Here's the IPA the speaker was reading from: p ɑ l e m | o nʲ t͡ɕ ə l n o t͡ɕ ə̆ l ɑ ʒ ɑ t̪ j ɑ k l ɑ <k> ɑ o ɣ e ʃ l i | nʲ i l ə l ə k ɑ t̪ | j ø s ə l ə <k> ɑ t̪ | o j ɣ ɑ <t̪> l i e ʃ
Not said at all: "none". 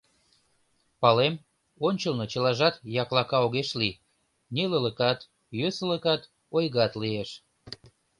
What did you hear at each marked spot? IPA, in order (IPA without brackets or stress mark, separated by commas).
k, k, t̪